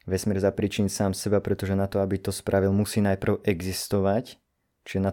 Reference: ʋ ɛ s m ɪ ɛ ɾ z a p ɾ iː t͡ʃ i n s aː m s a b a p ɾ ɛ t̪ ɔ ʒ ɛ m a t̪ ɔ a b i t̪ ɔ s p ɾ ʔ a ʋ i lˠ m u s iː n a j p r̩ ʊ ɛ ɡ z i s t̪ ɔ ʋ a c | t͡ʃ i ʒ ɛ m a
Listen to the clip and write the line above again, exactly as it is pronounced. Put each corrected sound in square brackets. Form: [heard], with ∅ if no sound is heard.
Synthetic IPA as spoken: ʋ ɛ s m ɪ ɛ ɾ z a p ɾ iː t͡ʃ i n s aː m s [ɛ] b a p ɾ ɛ t̪ ɔ ʒ ɛ [n] a t̪ ɔ a b i t̪ ɔ s p ɾ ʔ a ʋ i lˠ m u s iː n a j p r̩ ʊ ɛ ɡ z i s t̪ ɔ ʋ a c | t͡ʃ i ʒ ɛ [n] a